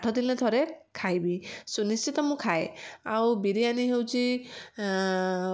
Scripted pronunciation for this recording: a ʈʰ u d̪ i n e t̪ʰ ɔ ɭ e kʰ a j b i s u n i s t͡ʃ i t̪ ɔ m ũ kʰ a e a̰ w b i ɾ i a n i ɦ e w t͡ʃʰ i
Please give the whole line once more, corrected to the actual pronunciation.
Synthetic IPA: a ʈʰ ɔ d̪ i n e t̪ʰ ɔ ɾ e kʰ a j b i s u n i s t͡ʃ i t̪ ɔ m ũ kʰ a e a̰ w b i ɾ i a n i ɦ e w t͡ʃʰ i